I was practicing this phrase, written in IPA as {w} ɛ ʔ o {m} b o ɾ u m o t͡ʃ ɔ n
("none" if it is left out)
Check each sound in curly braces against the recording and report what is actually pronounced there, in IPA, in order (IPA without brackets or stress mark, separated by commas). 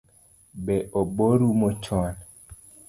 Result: b, none